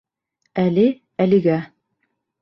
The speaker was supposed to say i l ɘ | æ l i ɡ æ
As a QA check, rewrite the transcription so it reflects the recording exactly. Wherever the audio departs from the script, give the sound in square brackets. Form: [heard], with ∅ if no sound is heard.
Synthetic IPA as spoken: [æ] l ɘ | æ l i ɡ æ

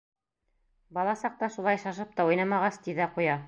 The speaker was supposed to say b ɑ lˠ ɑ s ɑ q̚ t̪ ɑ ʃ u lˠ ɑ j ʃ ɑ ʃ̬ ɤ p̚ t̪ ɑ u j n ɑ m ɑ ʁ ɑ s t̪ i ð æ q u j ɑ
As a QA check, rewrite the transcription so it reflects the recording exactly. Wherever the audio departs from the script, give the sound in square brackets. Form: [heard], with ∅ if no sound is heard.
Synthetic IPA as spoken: b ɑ lˠ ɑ s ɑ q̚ t̪ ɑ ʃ u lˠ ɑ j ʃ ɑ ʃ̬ ɤ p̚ t̪ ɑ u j n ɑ m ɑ ʁ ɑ s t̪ i ð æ q u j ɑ

